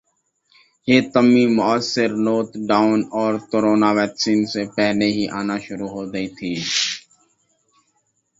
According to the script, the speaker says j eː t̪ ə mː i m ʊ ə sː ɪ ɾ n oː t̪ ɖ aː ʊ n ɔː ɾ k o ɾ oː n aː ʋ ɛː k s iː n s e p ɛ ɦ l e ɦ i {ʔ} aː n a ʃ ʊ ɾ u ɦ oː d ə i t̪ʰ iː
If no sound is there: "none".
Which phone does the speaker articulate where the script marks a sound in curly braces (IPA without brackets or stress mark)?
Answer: ʔ